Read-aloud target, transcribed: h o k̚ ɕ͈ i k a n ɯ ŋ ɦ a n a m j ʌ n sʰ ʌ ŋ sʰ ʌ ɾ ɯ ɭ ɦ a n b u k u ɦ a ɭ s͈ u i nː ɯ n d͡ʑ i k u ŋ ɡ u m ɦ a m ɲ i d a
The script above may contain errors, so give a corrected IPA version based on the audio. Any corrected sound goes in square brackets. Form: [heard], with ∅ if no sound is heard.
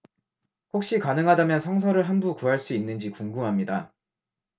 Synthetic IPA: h o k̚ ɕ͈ i k a n ɯ ŋ ɦ a [d] a m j ʌ n sʰ ʌ ŋ sʰ ʌ ɾ ɯ ɭ ɦ a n b u k u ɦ a ɭ s͈ u i nː ɯ n d͡ʑ i k u ŋ ɡ u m ɦ a m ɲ i d a